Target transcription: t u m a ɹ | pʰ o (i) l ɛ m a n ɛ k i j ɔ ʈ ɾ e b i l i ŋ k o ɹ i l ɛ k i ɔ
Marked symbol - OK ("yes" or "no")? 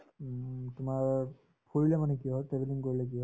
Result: yes